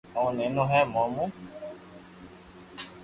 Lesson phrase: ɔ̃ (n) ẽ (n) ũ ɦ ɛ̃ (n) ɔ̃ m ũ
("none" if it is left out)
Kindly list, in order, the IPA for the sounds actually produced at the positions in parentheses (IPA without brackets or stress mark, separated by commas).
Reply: n, n, m